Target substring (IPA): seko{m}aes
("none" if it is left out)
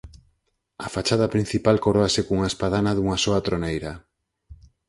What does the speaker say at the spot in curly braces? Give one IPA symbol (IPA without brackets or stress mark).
ŋ